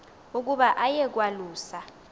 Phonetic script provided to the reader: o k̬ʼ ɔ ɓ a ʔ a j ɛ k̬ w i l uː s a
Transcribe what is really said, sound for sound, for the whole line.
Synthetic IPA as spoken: u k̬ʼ u ɓ a ʔ a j ɛ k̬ w a l uː s a